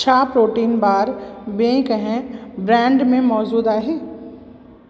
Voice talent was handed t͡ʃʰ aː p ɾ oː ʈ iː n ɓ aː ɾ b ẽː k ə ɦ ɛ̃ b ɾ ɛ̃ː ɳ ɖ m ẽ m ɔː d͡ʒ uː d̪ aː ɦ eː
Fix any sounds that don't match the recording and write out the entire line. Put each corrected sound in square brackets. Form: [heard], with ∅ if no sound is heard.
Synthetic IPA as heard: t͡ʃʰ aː p ɾ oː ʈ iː n [b] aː ɾ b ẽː k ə ɦ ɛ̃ b ɾ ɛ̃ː ɳ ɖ m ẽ m ɔː d͡ʒ uː d̪ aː ɦ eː